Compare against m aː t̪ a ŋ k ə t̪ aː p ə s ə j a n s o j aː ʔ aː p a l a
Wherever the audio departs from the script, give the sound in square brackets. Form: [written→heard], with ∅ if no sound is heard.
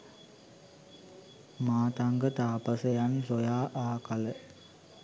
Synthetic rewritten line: m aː t̪ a ŋ [k→ɡ] ə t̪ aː p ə s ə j a n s o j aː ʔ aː [p→k] a l [a→ə]